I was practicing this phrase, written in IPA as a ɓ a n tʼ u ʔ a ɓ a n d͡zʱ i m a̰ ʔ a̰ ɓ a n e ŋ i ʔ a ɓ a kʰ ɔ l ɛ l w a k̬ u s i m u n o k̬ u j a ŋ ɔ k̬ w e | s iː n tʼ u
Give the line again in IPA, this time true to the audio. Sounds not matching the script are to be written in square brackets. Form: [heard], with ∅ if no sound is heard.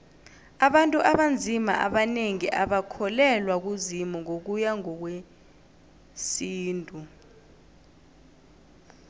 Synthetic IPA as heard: a ɓ a n tʼ u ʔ a ɓ a n d͡zʱ i m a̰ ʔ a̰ ɓ a n e ŋ i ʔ a ɓ a kʰ ɔ l ɛ l w a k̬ u [z] i m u [ŋ] o k̬ u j a ŋ ɔ k̬ w e | s iː n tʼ u